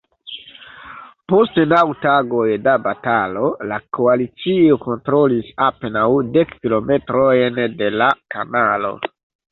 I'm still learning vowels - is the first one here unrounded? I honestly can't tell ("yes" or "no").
no